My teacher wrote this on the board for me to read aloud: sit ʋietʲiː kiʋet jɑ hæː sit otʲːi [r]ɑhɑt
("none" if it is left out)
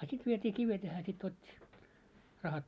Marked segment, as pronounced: r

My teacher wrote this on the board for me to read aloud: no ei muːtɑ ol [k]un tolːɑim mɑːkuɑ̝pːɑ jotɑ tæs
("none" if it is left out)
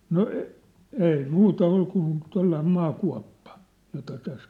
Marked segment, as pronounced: k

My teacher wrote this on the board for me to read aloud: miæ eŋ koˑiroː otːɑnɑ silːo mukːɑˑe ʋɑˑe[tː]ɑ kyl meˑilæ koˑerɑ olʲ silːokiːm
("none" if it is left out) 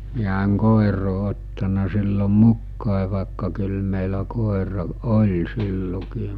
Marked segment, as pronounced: kː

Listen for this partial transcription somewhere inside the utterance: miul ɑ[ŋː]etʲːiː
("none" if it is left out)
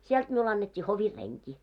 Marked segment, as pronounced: nː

